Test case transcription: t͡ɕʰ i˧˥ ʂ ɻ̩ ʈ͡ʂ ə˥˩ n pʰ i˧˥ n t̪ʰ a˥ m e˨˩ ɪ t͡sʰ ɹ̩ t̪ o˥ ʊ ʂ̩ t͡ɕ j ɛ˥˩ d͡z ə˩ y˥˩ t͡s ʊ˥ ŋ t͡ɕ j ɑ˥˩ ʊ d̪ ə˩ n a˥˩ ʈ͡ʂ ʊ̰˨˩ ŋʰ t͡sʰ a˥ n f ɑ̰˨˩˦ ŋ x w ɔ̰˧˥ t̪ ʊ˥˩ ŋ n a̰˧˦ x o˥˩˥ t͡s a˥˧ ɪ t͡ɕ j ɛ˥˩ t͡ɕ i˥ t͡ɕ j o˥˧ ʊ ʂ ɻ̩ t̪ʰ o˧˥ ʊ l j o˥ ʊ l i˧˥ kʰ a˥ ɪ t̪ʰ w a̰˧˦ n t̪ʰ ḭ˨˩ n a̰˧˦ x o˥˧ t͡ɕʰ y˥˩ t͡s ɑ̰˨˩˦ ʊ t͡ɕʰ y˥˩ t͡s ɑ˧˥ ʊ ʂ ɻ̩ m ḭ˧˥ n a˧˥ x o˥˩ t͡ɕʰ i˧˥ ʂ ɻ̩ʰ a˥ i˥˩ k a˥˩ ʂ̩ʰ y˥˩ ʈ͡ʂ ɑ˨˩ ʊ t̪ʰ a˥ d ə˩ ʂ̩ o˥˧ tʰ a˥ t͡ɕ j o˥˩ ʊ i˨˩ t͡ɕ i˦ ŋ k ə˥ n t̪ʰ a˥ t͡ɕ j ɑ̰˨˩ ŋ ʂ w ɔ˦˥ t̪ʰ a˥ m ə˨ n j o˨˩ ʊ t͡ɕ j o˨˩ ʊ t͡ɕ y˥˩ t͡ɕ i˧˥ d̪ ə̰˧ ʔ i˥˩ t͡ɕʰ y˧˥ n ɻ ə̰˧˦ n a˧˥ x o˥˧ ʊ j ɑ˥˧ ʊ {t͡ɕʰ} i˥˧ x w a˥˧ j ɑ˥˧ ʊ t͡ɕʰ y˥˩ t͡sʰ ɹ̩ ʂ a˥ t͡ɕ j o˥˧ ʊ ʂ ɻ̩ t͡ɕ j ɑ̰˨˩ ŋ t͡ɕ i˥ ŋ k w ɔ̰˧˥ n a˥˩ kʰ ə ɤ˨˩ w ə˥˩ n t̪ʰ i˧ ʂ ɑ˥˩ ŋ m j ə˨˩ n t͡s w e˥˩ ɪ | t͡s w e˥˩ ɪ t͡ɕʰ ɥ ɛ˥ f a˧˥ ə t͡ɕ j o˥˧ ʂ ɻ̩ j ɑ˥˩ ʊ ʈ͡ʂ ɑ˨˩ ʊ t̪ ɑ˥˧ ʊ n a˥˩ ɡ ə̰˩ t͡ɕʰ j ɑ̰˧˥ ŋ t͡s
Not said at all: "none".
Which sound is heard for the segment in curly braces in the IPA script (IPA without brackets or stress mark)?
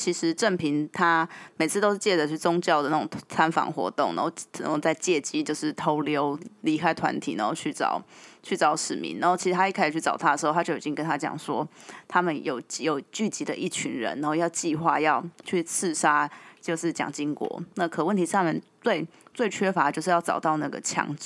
t͡ɕ